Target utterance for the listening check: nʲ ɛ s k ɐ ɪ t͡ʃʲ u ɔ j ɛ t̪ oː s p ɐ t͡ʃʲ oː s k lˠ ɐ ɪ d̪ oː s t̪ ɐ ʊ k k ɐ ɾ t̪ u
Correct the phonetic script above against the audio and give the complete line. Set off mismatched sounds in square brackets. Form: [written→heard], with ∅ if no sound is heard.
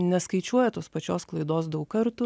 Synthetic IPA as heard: nʲ ɛ s k ɐ ɪ t͡ʃʲ u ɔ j ɛ t̪ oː s p ɐ t͡ʃʲ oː s k lˠ ɐ ɪ d̪ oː s [t̪→d̪] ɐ ʊ k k ɐ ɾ t̪ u